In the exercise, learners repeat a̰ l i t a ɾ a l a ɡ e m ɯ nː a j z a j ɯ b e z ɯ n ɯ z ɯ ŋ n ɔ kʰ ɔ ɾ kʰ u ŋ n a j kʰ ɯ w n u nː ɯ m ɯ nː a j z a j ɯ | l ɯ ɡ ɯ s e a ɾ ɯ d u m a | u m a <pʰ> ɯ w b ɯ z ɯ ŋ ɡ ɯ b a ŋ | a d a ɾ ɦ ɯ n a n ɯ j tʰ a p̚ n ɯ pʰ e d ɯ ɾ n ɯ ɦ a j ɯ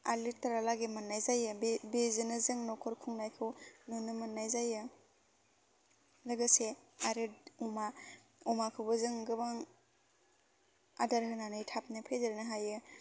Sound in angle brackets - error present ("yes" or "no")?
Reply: yes